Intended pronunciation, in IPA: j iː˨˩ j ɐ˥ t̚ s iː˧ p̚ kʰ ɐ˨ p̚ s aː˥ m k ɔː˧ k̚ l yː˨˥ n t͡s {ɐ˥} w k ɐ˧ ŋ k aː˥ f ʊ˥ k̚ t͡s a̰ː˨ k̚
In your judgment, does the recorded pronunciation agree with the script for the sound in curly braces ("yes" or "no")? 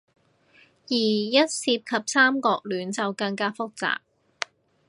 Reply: no